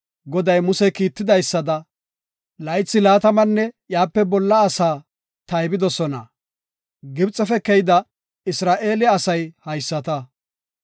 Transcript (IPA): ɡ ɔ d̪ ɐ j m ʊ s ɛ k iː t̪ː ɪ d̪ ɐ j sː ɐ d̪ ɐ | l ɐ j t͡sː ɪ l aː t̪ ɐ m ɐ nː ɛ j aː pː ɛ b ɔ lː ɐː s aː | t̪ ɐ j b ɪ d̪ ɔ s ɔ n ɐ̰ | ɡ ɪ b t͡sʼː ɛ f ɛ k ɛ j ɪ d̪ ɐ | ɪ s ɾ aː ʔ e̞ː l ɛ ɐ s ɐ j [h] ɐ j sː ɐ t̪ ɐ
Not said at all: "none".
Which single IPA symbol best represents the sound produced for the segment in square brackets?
h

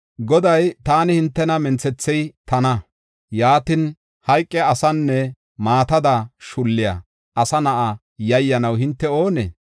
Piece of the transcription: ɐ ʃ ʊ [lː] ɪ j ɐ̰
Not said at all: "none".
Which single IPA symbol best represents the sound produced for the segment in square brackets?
lː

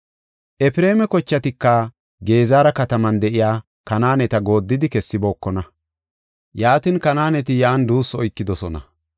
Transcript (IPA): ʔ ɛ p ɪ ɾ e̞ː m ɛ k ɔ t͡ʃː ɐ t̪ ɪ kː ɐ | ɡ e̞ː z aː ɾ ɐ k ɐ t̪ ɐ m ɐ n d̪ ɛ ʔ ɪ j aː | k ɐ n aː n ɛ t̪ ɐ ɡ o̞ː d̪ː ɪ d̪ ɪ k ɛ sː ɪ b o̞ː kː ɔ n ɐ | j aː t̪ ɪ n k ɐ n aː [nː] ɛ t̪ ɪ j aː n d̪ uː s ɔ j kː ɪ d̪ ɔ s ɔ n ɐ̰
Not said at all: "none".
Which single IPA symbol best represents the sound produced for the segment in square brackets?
n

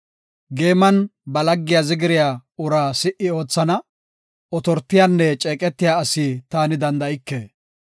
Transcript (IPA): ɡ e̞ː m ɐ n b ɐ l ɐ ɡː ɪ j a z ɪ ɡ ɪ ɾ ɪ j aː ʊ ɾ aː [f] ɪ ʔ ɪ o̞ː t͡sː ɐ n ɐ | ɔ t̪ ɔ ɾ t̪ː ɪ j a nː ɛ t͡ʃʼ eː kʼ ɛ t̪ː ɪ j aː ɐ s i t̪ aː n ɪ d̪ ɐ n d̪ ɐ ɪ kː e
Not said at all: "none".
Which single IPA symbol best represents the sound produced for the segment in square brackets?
s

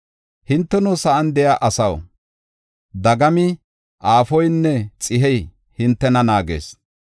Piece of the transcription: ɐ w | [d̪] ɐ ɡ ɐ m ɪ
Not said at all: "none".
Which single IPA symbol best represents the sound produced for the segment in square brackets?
d̪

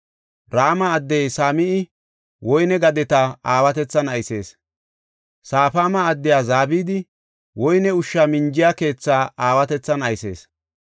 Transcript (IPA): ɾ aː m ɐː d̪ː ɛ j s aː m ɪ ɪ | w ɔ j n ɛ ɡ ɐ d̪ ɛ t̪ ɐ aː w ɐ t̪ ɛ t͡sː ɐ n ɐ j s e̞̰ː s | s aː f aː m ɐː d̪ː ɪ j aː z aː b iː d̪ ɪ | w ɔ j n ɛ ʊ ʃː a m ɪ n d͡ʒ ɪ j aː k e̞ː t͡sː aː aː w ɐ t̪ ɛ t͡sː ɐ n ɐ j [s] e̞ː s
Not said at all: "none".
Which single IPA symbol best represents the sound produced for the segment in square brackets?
s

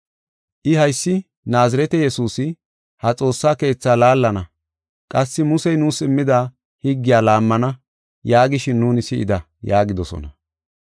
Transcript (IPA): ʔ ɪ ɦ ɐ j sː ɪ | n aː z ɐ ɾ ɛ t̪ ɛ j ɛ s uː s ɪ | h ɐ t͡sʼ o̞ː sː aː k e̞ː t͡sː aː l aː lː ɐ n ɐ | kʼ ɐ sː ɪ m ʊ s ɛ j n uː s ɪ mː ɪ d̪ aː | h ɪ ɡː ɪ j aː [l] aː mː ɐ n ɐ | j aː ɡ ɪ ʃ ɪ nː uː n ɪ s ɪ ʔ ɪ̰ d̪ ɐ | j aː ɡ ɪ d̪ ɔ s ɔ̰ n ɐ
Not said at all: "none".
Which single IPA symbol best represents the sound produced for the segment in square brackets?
l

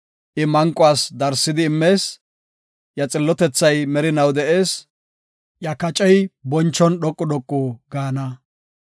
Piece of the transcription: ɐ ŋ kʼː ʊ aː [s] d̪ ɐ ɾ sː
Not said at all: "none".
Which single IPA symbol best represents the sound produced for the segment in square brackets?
s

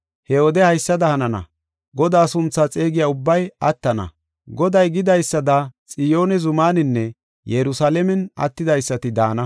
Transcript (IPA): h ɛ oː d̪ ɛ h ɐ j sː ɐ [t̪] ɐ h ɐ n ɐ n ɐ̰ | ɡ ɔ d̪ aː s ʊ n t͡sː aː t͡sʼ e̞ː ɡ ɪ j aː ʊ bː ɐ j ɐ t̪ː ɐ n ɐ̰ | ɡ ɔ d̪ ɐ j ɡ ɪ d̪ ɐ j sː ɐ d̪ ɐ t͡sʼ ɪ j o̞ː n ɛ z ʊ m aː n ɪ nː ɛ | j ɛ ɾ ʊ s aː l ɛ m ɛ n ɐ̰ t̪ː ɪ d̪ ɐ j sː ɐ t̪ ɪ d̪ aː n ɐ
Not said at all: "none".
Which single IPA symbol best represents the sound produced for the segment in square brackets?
d̪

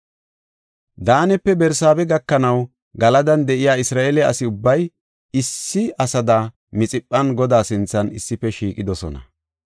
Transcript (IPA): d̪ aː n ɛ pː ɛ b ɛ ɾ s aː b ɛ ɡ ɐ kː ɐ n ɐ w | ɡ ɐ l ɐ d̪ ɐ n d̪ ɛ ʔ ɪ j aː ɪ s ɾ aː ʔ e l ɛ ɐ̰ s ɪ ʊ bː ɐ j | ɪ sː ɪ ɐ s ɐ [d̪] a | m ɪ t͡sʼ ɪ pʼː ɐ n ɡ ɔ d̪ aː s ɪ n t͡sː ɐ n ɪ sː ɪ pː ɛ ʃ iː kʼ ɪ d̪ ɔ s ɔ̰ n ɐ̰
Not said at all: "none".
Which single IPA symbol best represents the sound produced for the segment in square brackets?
d̪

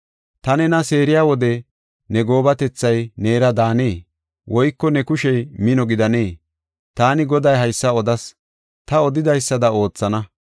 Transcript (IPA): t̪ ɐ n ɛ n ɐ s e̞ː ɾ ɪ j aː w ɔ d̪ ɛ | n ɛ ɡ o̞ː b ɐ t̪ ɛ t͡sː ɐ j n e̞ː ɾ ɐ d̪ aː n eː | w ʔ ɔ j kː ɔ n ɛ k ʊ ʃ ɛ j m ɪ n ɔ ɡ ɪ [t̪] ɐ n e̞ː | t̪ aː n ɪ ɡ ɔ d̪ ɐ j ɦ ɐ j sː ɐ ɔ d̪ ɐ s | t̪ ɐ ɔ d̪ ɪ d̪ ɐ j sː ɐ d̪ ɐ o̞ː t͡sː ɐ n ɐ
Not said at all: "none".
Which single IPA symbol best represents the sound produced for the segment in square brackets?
d̪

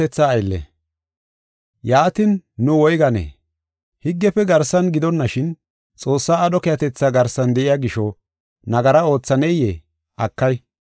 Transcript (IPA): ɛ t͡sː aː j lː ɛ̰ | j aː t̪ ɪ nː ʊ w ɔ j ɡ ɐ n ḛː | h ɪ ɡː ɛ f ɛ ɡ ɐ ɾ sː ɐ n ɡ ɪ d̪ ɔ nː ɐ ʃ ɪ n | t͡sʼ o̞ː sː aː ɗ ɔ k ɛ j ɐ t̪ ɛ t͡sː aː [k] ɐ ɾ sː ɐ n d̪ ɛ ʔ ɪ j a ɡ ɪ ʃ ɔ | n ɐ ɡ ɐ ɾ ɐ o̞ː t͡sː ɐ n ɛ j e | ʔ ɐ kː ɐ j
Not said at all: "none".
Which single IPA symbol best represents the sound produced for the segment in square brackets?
ɡ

